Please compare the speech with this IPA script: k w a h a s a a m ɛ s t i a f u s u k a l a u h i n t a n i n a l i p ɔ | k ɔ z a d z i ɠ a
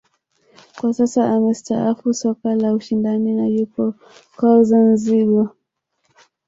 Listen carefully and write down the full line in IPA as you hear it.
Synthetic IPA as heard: k w a s a s a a m ɛ s t a a f u s ɔ k a l a u ʃ i n d a n i n a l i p ɔ | k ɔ z a n z i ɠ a